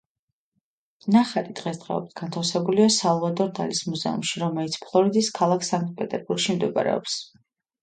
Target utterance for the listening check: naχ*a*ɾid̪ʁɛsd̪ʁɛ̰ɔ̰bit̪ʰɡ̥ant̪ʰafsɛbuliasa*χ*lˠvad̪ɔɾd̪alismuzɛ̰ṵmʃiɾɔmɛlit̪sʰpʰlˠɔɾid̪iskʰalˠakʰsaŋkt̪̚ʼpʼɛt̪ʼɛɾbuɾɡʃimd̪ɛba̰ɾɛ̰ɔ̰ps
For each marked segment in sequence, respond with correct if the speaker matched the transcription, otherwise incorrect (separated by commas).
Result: correct, incorrect